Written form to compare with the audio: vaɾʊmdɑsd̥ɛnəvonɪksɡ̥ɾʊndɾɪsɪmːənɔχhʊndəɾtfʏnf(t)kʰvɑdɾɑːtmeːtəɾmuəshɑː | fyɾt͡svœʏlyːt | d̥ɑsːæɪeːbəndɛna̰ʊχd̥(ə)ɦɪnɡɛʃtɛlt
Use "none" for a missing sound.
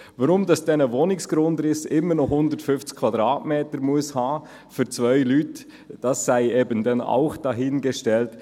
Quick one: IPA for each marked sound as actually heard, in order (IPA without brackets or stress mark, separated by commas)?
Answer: t͡s, ɑ